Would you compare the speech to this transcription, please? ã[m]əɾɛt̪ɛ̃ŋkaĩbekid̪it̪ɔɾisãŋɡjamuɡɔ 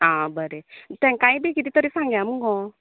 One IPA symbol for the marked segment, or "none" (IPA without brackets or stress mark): b